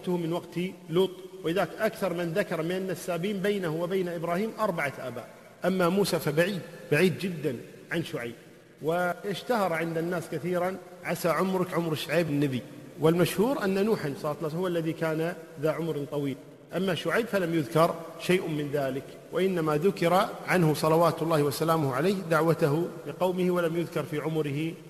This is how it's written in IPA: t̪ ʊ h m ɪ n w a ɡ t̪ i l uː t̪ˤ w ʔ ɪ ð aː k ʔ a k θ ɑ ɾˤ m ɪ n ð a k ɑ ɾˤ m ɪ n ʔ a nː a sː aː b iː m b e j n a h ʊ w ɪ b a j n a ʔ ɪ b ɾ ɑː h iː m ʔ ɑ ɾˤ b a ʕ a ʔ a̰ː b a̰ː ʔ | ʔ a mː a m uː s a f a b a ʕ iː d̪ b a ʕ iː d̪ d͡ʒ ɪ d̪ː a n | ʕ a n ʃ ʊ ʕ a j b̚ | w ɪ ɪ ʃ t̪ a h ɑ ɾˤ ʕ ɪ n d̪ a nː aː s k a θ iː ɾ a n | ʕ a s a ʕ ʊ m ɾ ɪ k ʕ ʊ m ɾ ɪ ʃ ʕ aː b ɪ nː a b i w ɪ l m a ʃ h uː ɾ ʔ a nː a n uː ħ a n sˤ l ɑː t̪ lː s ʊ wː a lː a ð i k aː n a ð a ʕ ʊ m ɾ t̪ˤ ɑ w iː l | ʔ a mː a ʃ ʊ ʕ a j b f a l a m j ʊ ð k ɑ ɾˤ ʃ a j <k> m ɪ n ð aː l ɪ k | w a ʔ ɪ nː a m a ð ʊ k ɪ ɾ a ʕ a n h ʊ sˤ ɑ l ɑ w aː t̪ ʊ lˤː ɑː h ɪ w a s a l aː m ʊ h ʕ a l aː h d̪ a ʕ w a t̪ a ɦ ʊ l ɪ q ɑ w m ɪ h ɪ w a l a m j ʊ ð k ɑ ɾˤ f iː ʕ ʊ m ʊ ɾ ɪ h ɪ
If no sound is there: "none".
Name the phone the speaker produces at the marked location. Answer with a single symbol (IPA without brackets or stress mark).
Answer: ʔ